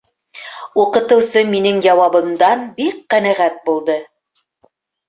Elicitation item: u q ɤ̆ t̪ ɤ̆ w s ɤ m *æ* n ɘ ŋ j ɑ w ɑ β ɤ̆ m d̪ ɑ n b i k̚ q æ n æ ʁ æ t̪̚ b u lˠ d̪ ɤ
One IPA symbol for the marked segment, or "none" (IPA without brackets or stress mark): i